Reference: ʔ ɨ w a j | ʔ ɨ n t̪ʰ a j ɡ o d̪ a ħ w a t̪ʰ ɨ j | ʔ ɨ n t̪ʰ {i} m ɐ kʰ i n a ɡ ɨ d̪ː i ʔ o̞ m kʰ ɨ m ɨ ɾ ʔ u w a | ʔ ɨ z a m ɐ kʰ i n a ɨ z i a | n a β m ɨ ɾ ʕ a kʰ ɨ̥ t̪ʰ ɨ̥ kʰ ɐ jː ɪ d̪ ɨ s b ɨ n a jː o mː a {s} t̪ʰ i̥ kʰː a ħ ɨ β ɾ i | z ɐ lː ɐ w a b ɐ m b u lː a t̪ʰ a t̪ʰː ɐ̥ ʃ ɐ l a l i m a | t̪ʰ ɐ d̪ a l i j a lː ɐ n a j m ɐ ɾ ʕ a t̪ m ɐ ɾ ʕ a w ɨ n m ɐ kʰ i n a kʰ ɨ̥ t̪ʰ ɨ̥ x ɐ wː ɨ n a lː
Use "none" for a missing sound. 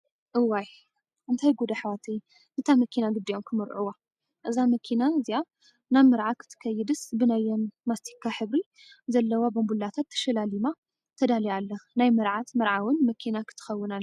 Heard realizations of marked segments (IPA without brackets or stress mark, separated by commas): a, s